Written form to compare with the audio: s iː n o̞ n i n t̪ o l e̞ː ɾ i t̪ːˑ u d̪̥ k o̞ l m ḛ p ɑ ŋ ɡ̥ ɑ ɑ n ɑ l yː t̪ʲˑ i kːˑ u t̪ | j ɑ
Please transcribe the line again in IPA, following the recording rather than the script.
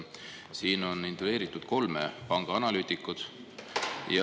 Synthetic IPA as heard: s iː n o̞ n i n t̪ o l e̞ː ɾ i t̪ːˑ u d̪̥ k o̞ l m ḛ p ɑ ŋ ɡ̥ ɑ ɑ n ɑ l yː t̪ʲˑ i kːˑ u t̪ | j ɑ